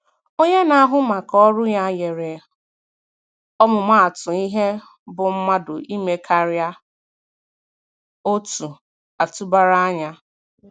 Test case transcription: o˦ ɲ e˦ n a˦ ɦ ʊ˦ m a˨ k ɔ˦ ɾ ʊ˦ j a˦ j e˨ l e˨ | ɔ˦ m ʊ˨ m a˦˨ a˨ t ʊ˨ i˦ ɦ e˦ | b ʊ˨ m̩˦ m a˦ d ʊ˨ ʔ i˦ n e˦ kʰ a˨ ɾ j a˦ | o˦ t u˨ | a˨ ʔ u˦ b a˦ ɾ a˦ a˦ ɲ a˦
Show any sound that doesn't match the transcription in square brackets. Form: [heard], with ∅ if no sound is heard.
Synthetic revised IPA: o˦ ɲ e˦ n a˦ ɦ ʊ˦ m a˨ k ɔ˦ ɾ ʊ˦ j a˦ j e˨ [ɾ] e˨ | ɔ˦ m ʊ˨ m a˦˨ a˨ t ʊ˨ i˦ ɦ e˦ | b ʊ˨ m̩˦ m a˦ d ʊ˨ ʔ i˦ [m] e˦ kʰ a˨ ɾ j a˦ | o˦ t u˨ | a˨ [t] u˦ b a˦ ɾ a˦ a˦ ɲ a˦

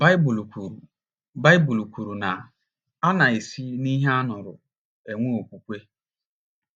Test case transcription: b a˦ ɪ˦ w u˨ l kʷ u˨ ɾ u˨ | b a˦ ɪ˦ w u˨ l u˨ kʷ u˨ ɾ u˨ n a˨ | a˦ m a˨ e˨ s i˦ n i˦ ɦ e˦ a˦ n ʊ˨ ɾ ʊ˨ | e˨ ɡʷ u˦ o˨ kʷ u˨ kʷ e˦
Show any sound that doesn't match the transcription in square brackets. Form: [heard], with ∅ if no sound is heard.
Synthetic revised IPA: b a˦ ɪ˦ [b] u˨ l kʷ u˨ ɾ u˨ | b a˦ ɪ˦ [b] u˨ l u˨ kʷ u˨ ɾ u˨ n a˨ | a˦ [n] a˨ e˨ s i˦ n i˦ ɦ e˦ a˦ n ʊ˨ ɾ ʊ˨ | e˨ [ŋʷ] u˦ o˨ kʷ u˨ kʷ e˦

